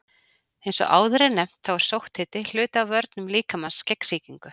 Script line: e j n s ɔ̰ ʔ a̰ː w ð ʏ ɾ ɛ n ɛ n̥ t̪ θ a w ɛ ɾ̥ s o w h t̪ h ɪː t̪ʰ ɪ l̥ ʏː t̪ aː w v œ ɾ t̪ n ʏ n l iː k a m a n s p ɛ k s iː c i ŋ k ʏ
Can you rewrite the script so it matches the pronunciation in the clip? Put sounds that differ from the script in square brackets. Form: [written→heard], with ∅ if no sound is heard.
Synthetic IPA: e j n s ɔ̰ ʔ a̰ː w ð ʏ ɾ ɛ n ɛ [n̥→m̥] t̪ θ a w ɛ ɾ̥ s o w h t̪ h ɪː [t̪ʰ→t̪] ɪ l̥ ʏː t̪ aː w v œ ɾ t̪ n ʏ [n→m] l iː k a m a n s [p→c] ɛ k s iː c i ŋ k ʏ